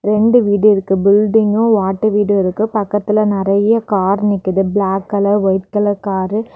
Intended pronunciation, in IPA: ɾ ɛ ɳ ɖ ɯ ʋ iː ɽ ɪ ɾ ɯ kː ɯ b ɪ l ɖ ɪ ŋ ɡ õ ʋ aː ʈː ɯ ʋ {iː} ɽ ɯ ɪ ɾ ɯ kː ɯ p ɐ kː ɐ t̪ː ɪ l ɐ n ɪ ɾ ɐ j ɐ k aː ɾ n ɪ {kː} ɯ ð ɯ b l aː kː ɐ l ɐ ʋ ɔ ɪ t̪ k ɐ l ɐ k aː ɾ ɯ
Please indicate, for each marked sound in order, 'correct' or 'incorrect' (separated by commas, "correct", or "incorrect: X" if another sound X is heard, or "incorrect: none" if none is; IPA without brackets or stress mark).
correct, correct